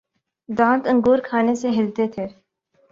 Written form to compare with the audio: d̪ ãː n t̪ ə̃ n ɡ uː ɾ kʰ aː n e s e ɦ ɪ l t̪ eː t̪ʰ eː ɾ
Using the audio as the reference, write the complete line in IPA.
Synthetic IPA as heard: d̪ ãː n t̪ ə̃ ŋ ɡ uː ɾ kʰ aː n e s e ɦ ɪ l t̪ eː t̪ʰ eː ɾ